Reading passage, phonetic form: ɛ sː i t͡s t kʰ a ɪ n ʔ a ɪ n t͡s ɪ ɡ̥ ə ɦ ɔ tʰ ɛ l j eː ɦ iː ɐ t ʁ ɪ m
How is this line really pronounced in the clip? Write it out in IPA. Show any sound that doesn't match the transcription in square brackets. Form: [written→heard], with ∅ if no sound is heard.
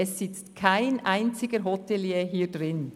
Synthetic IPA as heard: ɛ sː [i→ɪ] t͡s t kʰ a ɪ n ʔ a ɪ n t͡s ɪ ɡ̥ ə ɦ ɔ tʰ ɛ l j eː ɦ iː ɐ [t→d] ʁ ɪ [m→n]

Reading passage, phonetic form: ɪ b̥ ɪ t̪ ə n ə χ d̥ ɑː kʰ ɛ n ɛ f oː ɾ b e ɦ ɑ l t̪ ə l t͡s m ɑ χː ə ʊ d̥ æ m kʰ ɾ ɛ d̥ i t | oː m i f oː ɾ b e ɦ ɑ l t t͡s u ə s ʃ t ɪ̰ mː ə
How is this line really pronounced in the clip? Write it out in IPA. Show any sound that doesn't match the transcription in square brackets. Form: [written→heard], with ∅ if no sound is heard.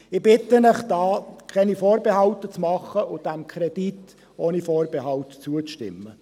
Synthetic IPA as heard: ɪ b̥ ɪ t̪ ə n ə χ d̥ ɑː kʰ ɛ n [ɛ→i] f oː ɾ b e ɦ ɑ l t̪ ə [l→∅] t͡s m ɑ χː ə ʊ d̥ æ m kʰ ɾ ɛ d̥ i t | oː [m→n] i f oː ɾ b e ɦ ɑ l t t͡s u ə [s→t͡s] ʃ t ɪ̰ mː ə

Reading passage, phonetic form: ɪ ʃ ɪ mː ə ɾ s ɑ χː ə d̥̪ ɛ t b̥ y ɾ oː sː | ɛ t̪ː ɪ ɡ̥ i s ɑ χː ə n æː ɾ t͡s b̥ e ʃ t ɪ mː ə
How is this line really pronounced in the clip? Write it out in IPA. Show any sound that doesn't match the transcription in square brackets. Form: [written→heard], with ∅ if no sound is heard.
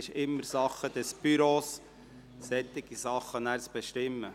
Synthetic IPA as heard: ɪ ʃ ɪ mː ə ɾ s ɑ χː ə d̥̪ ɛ [t→s] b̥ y ɾ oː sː | ɛ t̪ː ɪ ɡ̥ i s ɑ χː ə n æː ɾ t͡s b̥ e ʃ t ɪ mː ə

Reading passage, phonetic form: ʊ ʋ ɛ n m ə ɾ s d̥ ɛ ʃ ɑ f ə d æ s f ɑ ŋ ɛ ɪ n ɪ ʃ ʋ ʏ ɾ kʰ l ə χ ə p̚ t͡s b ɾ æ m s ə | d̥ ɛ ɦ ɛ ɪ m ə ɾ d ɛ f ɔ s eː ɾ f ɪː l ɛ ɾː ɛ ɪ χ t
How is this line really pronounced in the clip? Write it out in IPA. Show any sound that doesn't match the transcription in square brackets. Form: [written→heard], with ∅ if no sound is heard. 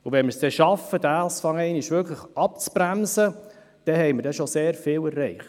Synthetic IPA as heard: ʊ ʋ ɛ n m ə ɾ s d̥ ɛ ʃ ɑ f ə d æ s f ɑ ŋ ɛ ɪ n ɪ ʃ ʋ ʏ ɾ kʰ l ə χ [ə→ɑ] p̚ t͡s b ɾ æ m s ə | d̥ ɛ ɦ ɛ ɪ m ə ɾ d ɛ [f→ʃ] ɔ s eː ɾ f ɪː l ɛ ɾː ɛ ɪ χ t

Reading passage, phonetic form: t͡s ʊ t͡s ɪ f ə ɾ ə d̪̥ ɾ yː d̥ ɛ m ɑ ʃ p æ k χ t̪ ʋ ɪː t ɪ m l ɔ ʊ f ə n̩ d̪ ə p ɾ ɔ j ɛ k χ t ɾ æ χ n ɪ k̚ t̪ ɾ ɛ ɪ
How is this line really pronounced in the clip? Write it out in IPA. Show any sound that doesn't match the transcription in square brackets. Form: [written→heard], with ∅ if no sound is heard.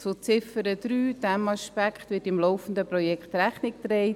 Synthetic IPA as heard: t͡s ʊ t͡s ɪ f ə ɾ ə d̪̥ ɾ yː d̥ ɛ m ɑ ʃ p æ k χ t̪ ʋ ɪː t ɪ m l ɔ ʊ f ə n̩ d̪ ə p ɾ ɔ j ɛ k χ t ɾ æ χ n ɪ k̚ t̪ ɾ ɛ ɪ

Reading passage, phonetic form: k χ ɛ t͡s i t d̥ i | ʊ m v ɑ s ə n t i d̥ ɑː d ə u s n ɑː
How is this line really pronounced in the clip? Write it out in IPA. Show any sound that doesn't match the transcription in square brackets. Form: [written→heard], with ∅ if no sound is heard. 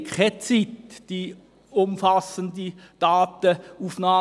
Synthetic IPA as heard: k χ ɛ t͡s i t d̥ i | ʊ m [v→f] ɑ s ə n [t→d] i d̥ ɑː [d→t] ə u [s→f] n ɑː

